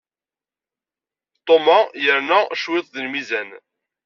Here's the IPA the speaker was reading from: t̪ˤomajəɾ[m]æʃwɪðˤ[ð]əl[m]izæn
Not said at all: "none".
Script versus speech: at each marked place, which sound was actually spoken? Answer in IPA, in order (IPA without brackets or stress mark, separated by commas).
n, ð, m